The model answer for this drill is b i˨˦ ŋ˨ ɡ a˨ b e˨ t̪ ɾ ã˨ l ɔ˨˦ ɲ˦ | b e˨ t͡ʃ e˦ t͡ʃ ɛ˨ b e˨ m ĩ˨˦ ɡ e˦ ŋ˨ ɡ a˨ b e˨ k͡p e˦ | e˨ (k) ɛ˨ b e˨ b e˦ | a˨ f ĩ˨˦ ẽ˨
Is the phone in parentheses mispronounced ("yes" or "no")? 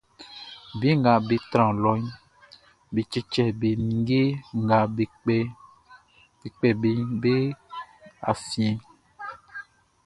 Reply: yes